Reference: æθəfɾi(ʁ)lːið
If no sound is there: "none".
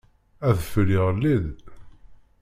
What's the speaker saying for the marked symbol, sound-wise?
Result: ʁ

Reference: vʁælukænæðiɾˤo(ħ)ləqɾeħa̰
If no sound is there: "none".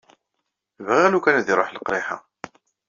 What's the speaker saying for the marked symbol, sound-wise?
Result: ħ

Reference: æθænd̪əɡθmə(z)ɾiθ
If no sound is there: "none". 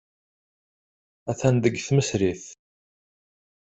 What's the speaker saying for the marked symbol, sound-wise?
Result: s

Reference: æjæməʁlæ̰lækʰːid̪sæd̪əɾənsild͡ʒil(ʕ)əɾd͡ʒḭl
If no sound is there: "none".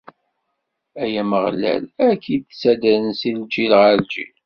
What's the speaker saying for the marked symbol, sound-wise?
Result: ʁ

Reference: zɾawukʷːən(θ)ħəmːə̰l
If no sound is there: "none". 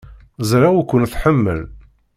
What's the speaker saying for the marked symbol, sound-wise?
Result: θ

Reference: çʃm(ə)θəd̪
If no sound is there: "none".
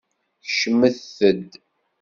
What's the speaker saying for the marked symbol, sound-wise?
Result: ə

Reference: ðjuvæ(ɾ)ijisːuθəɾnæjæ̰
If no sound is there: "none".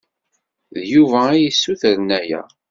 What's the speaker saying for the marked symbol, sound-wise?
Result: none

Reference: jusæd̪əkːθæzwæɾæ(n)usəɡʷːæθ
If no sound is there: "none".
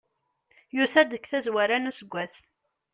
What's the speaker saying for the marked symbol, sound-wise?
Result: n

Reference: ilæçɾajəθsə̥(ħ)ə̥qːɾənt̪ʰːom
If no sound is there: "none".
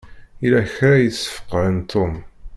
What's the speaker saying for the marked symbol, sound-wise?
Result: f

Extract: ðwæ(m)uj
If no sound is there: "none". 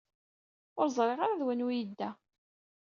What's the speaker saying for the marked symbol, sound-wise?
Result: n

